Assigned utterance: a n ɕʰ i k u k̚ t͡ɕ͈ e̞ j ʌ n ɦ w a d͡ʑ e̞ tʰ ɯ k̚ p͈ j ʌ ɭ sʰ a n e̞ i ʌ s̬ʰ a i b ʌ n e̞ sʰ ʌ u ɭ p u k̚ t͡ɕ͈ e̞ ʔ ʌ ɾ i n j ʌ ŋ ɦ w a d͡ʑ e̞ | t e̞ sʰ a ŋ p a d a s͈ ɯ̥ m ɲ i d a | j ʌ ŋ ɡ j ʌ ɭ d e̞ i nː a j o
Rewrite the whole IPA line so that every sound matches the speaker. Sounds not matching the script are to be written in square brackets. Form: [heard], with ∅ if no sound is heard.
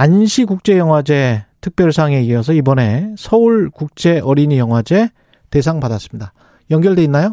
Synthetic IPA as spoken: a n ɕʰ i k u k̚ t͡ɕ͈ e̞ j ʌ [ŋ] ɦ w a d͡ʑ e̞ tʰ ɯ k̚ p͈ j ʌ ɭ sʰ a [ŋ] e̞ i ʌ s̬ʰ [ʌ] i b ʌ n e̞ sʰ ʌ u ɭ [k] u k̚ t͡ɕ͈ e̞ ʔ ʌ ɾ i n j ʌ ŋ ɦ w a d͡ʑ e̞ | t e̞ sʰ a ŋ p a d a s͈ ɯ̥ m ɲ i d a | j ʌ ŋ ɡ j ʌ ɭ d e̞ i nː a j o